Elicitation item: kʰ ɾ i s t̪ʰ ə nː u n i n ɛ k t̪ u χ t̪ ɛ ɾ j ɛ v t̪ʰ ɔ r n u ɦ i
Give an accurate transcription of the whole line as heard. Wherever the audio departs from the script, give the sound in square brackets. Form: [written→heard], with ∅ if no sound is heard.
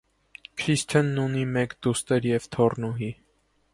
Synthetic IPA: kʰ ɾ i s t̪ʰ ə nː u n i [n→m] ɛ k [t̪→d̪] u [χ→s] t̪ ɛ ɾ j ɛ v t̪ʰ ɔ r n u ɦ i